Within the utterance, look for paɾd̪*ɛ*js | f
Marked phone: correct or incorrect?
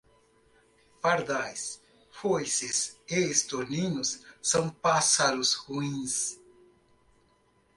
incorrect